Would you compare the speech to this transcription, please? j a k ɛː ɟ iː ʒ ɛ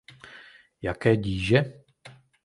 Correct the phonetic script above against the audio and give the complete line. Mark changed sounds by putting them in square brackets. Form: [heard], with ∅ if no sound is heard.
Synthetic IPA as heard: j a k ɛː ɟ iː ʒ ɛ

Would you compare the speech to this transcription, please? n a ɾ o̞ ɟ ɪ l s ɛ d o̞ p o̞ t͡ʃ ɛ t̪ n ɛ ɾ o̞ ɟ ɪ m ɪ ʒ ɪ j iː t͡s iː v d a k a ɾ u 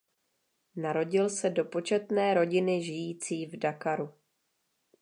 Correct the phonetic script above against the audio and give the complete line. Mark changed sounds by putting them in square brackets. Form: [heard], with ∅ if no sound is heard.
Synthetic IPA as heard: n a ɾ o̞ ɟ ɪ l s ɛ d o̞ p o̞ t͡ʃ ɛ t̪ n [ɛː] ɾ o̞ ɟ ɪ [n] ɪ ʒ ɪ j iː t͡s iː v d a k a ɾ u

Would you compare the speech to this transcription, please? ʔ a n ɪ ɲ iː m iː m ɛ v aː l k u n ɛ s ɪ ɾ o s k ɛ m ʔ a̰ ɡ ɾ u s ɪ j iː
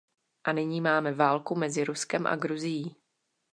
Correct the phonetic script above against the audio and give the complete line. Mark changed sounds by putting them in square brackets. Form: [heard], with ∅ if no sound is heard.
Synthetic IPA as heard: ʔ a n ɪ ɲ iː m [aː] m ɛ v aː l k u [m] ɛ [z] ɪ ɾ [u] s k ɛ m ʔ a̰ ɡ ɾ u [z] ɪ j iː

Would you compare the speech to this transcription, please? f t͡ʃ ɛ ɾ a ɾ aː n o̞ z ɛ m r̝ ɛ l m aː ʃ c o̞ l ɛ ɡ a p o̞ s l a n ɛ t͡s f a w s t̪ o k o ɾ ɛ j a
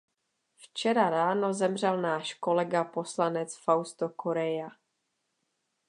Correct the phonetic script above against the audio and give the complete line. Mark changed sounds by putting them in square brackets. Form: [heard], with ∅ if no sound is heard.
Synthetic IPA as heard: f t͡ʃ ɛ ɾ a ɾ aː n o̞ z ɛ m r̝ ɛ l [n] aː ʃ [k] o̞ l ɛ ɡ a p o̞ s l a n ɛ t͡s f a w s t̪ o k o ɾ ɛ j a

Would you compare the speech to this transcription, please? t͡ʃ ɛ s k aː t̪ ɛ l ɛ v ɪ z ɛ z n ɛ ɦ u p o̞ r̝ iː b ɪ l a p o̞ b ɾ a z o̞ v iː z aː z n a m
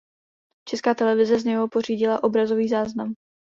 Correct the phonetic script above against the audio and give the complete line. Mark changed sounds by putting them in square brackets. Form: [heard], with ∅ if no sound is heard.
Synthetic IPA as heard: t͡ʃ ɛ s k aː t̪ ɛ l ɛ v ɪ z ɛ z [ɲ] ɛ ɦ [o] p o̞ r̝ iː [ɟ] ɪ l a [ʔ] o̞ b ɾ a z o̞ v iː z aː z n a m

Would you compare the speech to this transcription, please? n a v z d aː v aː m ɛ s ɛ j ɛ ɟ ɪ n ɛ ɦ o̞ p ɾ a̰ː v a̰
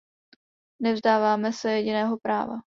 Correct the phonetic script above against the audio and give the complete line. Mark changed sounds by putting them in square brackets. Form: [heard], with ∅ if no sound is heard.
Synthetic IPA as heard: n [ɛ] v z d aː v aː m ɛ s ɛ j ɛ ɟ ɪ n [ɛː] ɦ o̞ p ɾ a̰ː v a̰

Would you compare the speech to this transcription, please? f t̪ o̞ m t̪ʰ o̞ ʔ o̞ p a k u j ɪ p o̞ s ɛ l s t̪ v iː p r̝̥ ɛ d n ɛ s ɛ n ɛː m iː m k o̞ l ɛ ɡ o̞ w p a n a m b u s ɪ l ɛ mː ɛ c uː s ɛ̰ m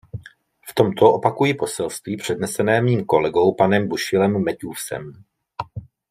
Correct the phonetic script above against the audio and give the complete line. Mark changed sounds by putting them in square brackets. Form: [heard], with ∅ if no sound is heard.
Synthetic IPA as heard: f t̪ o̞ m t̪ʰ o̞ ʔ o̞ p a k u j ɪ p o̞ s ɛ l s t̪ v iː p r̝̥ ɛ d n ɛ s ɛ n ɛː m iː m k o̞ l ɛ ɡ o̞ w p a n [ɛ] m b u [ʃ] ɪ l ɛ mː ɛ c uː s ɛ̰ m

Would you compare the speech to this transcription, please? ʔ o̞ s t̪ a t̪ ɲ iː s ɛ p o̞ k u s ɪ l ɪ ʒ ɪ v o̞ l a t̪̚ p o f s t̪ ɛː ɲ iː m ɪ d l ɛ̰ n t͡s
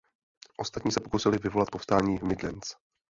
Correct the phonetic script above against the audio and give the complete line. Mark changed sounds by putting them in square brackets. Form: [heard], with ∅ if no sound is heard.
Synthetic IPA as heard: ʔ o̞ s t̪ a t̪ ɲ iː s ɛ p o̞ k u s ɪ l ɪ [v] ɪ v o̞ l a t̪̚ p o f s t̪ [aː] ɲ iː m ɪ d l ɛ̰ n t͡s

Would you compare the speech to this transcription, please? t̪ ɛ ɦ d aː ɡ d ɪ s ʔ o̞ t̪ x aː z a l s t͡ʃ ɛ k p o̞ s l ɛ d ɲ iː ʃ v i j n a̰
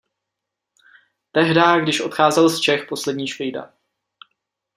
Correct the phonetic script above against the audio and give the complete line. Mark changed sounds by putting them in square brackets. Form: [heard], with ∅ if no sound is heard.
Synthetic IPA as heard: t̪ ɛ ɦ d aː ɡ d ɪ [ʃ] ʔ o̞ t̪ x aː z [ɛ] l s t͡ʃ ɛ [x] p o̞ s l ɛ d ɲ iː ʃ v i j [d] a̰

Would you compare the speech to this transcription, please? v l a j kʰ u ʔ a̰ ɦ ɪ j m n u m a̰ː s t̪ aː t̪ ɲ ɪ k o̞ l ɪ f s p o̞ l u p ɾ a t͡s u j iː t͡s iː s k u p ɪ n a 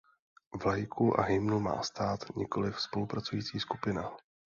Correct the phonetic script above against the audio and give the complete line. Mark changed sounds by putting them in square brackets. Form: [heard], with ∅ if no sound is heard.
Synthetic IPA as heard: v l a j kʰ u ʔ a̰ ɦ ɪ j m n u m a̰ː s t̪ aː t̪ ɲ ɪ k o̞ l ɪ f s p o̞ l u p ɾ a t͡s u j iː t͡s iː s k u p ɪ n a

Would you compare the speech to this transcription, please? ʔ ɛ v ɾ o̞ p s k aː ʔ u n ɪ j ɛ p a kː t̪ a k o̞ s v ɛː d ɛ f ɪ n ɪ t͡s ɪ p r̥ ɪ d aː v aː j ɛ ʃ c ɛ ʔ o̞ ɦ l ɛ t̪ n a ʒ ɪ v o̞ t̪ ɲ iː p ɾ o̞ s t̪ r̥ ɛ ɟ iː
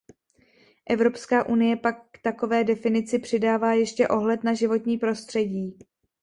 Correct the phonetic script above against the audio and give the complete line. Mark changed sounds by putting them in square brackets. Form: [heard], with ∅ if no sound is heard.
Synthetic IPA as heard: ʔ ɛ v ɾ o̞ p s k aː ʔ u n ɪ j ɛ p a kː t̪ a k o̞ [∅] v ɛː d ɛ f ɪ n ɪ t͡s ɪ p r̥ ɪ d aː v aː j ɛ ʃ c ɛ ʔ o̞ ɦ l ɛ t̪ n a ʒ ɪ v o̞ t̪ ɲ iː p ɾ o̞ s t̪ r̥ ɛ ɟ iː

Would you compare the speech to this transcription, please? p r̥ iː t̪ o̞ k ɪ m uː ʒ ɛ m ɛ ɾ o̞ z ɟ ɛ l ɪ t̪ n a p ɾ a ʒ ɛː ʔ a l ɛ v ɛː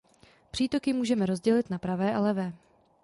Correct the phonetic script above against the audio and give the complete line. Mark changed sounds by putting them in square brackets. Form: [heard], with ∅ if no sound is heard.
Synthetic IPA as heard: p r̥ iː t̪ o̞ k ɪ m uː ʒ ɛ m ɛ ɾ o̞ z ɟ ɛ l ɪ t̪ n a p ɾ a [v] ɛː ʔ a l ɛ v ɛː

